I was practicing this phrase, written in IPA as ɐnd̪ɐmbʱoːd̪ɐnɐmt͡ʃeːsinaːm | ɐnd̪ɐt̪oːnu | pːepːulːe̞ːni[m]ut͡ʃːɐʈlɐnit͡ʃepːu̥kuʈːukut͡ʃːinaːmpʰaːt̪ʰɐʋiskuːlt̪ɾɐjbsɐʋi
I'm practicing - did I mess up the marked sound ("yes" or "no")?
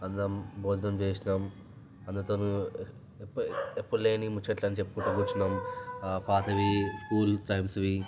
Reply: no